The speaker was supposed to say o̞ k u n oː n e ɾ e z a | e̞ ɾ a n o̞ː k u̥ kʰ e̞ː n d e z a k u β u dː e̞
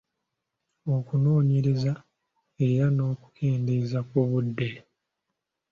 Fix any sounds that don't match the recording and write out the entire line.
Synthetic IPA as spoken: o̞ k u n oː ɲ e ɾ e z a | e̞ ɾ a n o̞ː k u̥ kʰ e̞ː n d e z a k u β u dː e̞